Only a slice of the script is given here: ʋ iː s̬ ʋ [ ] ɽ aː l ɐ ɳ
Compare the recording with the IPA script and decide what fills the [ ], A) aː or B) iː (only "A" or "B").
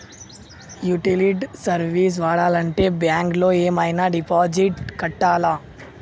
A